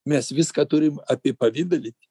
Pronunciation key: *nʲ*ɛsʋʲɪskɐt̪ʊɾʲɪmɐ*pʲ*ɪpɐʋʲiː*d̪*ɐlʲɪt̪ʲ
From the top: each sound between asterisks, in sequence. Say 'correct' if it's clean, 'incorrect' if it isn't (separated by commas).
incorrect, correct, correct